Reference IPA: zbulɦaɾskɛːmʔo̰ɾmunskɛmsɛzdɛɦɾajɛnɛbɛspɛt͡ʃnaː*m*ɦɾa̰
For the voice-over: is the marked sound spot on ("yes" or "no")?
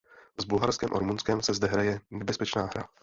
no